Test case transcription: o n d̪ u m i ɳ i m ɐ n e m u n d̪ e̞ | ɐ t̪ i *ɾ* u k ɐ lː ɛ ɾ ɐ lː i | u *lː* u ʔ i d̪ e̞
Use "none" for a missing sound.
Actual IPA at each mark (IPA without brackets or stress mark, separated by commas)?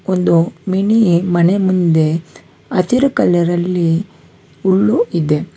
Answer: ɾ, ɭː